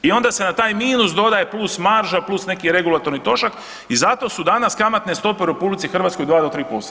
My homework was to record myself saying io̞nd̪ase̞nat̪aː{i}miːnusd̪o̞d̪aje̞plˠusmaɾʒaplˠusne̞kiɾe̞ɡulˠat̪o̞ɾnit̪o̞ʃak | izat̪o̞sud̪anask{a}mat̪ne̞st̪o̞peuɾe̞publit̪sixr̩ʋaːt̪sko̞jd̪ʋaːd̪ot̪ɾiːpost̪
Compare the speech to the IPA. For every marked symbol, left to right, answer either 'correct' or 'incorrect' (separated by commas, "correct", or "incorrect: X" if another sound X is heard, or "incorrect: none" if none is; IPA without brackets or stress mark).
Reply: incorrect: j, correct